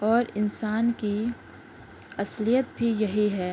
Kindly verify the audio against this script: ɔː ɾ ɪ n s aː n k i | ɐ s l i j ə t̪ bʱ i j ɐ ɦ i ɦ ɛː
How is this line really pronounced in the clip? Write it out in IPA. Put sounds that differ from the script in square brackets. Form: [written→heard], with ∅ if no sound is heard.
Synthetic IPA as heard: ɔː ɾ ɪ n s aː n k i | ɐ s l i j ə t̪ bʱ i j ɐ ɦ i ɦ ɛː